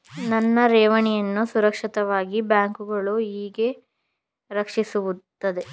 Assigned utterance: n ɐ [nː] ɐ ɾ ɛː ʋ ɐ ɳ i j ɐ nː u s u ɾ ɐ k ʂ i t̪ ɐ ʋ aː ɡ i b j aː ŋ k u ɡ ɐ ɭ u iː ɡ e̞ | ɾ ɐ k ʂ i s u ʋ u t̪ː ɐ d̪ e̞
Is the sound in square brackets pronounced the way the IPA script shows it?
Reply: yes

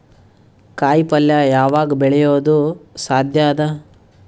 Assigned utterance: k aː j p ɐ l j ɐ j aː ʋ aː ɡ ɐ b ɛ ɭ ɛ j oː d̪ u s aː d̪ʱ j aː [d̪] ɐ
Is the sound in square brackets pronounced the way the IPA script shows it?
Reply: yes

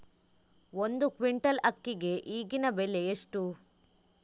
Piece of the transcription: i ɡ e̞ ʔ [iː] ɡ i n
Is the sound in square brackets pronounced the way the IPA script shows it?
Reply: yes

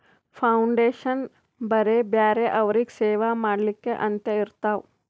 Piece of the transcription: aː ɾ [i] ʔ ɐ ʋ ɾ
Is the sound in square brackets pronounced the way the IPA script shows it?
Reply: no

